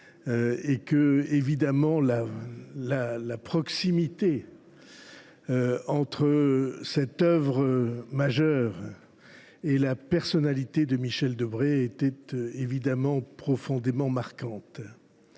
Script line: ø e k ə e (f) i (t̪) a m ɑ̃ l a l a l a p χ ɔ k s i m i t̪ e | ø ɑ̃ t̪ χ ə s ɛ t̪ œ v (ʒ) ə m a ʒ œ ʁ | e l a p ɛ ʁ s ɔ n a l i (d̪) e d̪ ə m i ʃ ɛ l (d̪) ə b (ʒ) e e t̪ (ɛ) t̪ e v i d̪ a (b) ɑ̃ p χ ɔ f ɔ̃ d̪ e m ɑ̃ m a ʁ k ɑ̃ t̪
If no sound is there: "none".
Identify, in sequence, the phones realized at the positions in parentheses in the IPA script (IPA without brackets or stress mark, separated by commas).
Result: v, d̪, ʁ, t̪, d̪, ʁ, ɛ, m